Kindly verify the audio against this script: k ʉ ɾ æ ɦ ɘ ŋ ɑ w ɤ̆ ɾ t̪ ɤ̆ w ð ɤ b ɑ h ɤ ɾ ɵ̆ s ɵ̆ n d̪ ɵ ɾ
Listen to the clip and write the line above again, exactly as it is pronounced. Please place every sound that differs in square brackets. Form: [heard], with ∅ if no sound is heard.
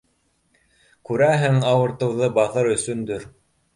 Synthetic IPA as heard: k ʉ ɾ æ ɦ ɘ ŋ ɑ w ɤ̆ ɾ t̪ ɤ̆ w ð ɤ b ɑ [θ] ɤ ɾ ɵ̆ s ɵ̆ n d̪ ɵ ɾ

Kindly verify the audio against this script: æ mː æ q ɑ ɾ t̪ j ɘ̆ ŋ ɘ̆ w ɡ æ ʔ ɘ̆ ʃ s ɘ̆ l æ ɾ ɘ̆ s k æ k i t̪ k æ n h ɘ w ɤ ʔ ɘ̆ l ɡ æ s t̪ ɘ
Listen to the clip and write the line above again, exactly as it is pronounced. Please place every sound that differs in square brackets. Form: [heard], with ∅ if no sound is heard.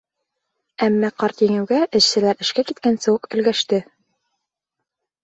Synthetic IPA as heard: æ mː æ q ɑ ɾ t̪ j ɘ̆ ŋ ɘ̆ w ɡ æ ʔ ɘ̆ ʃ s ɘ̆ l æ ɾ ɘ̆ [ʃ] k æ k i t̪ k æ n [s] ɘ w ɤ [q] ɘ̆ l ɡ æ [ʃ] t̪ ɘ

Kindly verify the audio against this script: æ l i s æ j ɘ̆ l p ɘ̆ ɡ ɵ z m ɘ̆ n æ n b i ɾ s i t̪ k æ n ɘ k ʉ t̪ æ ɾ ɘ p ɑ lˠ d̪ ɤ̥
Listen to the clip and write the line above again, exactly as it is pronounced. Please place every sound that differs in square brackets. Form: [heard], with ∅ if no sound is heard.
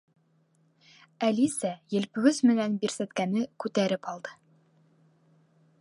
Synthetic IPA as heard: æ l i s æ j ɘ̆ l p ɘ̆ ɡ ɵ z m ɘ̆ n æ n b i ɾ s [æ] t̪ k æ n ɘ k ʉ t̪ æ ɾ ɘ p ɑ lˠ d̪ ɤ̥

